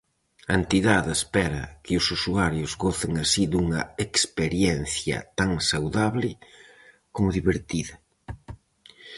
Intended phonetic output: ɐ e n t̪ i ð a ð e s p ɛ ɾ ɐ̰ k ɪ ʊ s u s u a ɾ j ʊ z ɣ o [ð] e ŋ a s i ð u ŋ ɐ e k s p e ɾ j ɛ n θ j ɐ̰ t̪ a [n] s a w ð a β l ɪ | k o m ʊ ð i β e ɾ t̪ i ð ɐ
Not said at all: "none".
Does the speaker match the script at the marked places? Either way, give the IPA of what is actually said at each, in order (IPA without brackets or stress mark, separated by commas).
θ, ŋ